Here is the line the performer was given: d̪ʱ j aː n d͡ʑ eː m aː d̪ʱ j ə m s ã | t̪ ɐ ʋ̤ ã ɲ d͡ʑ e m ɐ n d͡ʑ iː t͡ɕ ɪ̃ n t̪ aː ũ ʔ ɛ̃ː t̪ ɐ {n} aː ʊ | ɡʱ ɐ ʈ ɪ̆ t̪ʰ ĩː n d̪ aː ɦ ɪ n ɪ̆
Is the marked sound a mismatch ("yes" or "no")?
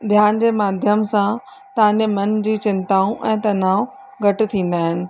no